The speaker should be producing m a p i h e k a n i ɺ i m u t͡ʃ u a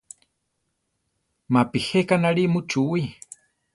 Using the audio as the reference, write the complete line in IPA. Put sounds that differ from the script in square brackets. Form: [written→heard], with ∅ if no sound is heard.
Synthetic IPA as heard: m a p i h e k a n [i→a] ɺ i m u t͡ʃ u [a→i]